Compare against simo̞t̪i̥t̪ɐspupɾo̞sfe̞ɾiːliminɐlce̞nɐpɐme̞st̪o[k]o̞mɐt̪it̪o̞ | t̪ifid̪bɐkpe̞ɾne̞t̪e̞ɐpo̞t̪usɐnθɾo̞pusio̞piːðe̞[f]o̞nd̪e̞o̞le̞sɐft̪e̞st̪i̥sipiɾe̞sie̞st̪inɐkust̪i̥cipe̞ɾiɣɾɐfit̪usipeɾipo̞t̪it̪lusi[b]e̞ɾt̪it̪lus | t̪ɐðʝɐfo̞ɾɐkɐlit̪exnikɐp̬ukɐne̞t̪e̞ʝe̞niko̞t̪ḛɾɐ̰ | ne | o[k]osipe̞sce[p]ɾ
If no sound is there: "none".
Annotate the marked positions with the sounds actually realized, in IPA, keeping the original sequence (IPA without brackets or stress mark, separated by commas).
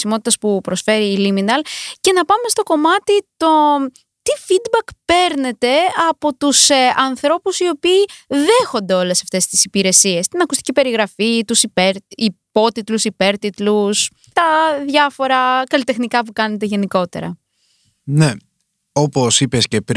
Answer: k, x, p, p, p